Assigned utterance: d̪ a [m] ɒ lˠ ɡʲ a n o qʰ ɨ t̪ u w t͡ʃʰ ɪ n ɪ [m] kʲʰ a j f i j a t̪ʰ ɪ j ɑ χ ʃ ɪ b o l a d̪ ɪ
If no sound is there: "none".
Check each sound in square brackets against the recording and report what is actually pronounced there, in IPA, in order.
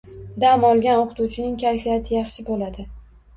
m, ŋ

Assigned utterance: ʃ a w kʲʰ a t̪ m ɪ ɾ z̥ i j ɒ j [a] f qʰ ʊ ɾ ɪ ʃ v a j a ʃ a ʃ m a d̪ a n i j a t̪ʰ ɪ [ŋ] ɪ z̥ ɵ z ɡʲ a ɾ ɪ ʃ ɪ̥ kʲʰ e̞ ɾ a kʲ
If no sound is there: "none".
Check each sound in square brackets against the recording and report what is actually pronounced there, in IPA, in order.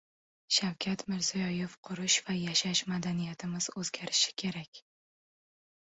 e, m

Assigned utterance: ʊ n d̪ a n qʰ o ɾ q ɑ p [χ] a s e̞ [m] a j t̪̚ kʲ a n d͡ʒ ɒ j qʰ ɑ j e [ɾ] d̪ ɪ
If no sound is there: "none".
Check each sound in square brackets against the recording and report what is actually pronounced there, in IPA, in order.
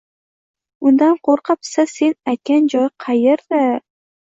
s, n, ɾ

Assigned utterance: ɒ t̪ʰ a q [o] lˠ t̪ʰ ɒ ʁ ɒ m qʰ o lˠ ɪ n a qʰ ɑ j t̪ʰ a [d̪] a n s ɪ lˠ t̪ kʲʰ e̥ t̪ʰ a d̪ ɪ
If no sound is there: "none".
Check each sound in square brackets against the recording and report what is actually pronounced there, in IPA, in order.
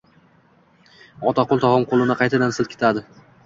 o, d̪

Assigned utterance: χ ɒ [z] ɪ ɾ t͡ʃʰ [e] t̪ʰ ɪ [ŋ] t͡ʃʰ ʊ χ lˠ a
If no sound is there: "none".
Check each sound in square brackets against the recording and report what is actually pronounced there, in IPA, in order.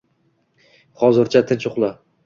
z, a, n

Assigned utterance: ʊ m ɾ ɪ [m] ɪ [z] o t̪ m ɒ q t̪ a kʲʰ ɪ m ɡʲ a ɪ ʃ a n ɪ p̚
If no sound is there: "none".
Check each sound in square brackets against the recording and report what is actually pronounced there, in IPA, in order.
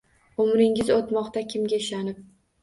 ŋ, z

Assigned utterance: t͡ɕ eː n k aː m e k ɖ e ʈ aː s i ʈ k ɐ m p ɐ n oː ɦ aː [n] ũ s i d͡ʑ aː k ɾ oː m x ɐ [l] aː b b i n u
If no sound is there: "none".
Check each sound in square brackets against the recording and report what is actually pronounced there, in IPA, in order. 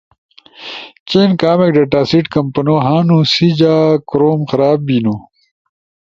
n, ɾ

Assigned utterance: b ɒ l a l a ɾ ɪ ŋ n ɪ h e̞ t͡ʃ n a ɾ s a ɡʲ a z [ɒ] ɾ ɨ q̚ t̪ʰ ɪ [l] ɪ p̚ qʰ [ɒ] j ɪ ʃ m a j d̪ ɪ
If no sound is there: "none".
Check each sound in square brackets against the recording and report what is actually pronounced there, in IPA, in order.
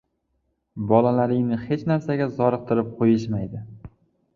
ɒ, ɾ, o

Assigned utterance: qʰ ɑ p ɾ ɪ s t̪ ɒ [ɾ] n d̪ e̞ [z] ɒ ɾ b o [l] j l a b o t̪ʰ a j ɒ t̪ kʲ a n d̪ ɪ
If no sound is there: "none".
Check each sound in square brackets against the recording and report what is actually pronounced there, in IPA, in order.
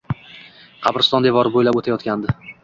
none, v, none

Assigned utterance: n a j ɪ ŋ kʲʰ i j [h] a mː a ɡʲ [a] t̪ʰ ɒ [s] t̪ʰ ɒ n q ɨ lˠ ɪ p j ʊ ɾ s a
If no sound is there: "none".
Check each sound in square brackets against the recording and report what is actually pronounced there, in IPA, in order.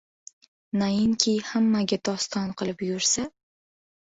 h, a, s

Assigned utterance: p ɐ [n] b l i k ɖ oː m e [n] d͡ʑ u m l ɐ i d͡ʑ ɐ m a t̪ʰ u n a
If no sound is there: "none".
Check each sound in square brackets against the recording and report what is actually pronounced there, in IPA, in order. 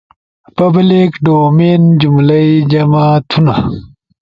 none, n

